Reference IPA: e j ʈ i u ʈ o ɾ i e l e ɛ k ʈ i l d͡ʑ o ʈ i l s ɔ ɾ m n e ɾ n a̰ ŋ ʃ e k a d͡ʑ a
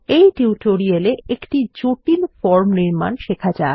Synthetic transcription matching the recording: e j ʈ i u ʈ o ɾ i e l e e k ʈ i d͡ʑ o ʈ i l f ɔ ɾ m n i ɾ m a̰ n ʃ e kʰ a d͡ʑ a